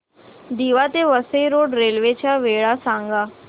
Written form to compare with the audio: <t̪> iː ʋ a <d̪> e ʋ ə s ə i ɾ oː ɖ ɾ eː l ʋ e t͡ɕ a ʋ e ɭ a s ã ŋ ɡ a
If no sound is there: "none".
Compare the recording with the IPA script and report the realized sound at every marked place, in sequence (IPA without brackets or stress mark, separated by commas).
d̪, t̪